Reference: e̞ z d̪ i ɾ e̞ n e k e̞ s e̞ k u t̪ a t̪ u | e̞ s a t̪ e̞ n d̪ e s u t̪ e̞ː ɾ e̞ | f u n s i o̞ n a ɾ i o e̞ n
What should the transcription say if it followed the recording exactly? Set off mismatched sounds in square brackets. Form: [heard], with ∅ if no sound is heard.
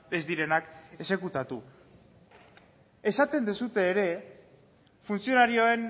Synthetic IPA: e̞ z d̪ i ɾ e̞ n [a] k e̞ s e̞ k u t̪ a t̪ u | e̞ s a t̪ e̞ n d̪ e s u t̪ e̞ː ɾ e̞ | f u n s i o̞ n a ɾ i o e̞ n

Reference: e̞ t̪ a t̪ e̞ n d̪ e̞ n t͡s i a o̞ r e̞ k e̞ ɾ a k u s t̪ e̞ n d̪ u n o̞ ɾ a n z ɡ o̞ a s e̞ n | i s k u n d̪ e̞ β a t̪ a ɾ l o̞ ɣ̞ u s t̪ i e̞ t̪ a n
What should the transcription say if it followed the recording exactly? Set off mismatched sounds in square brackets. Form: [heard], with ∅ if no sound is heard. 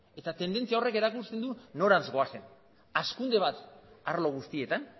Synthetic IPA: e̞ t̪ a t̪ e̞ n d̪ e̞ n t͡s i a o̞ r e̞ k e̞ ɾ a k u s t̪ e̞ n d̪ u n o̞ ɾ a n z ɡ o̞ a s e̞ n | [a] s k u n d̪ e̞ β a t̪ a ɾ l o̞ ɣ̞ u s t̪ i e̞ t̪ a n

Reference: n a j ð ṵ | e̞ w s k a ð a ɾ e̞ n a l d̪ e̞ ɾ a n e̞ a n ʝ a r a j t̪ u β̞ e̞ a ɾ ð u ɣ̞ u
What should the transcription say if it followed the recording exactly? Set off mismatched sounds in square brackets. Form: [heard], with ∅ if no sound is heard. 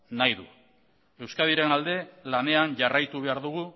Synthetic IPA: n a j ð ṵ | e̞ w s k a ð [i] ɾ e̞ n a l d̪ e̞ [l] a n e̞ a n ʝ a r a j t̪ u β̞ e̞ a ɾ ð u ɣ̞ u

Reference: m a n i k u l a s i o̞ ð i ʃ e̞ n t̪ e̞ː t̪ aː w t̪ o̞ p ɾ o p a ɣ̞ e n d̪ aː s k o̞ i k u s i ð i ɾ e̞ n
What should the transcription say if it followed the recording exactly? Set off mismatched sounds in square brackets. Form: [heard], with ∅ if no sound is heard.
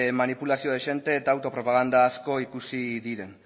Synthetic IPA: m a n i [p] u l a s i o̞ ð [e] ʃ e̞ n t̪ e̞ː t̪ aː w t̪ o̞ p ɾ o p a ɣ̞ [a] n d̪ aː s k o̞ i k u s i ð i ɾ e̞ n

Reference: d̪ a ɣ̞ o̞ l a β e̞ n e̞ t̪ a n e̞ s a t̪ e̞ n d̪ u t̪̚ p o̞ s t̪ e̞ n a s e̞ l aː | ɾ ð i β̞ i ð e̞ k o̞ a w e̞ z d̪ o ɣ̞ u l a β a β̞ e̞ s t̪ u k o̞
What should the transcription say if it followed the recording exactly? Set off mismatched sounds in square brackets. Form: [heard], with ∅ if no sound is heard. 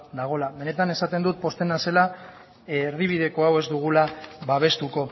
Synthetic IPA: d̪ a ɣ̞ o̞ l a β e̞ n e̞ t̪ a n e̞ s a t̪ e̞ n d̪ u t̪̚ p o̞ s t̪ e̞ n a s e̞ l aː | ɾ ð i β̞ i ð e̞ k o̞ a w e̞ z d̪ [u] ɣ̞ u l a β a β̞ e̞ s t̪ u k o̞

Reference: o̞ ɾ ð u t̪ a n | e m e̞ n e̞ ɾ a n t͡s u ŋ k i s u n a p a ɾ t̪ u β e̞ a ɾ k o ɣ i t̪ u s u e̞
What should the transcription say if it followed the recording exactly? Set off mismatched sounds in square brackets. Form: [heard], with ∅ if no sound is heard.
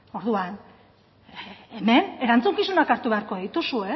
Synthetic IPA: o̞ ɾ ð u [∅] a n | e m e̞ n e̞ ɾ a n t͡s u ŋ k i s u n a [k] a ɾ t̪ u β e̞ a ɾ k o [ð] i t̪ u s u e̞

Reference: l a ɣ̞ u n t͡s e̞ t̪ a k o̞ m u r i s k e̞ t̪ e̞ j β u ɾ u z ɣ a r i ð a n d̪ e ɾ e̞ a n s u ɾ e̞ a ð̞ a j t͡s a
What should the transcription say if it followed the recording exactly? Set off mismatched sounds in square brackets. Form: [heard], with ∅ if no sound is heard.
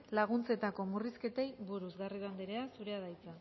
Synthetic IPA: l a ɣ̞ u n t͡s e̞ t̪ a k o̞ m u r i s k e̞ t̪ e̞ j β u ɾ u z ɣ a r i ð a n d̪ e ɾ e̞ a [∅] s u ɾ e̞ a ð̞ a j t͡s a

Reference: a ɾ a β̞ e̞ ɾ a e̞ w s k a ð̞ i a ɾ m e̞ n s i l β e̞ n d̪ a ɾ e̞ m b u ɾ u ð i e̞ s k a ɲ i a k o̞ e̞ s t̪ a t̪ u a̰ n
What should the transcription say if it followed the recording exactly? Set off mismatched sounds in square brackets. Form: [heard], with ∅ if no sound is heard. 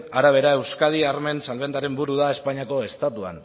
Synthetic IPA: a ɾ a β̞ e̞ ɾ a e̞ w s k a ð̞ i a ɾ m e̞ n s [a] l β e̞ n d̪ a ɾ e̞ m b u ɾ u ð [a] e̞ s [p] a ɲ i a k o̞ e̞ s t̪ a t̪ u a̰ n

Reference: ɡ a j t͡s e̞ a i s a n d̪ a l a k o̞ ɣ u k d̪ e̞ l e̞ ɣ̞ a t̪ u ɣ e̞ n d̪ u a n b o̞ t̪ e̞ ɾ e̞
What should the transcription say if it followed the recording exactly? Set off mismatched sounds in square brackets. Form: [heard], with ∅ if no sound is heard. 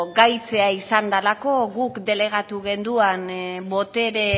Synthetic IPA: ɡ a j t͡s e̞ a i s a n d̪ a l a k o̞ ɣ u k d̪ e̞ l e̞ ɣ̞ a t̪ u ɣ e̞ n d̪ u a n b o̞ t̪ e̞ ɾ e̞

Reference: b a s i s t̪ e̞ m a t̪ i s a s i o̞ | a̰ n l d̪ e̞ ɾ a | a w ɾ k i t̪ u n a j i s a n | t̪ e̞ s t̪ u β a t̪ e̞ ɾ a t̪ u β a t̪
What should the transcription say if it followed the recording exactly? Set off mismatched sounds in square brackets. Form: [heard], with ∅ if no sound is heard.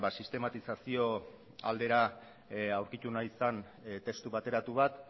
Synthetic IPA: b a s i s t̪ e̞ m a t̪ i s a s i o̞ | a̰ [∅] l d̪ e̞ ɾ a | a w ɾ k i t̪ u n a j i s a n | t̪ e̞ s t̪ u β a t̪ e̞ ɾ a t̪ u β a t̪

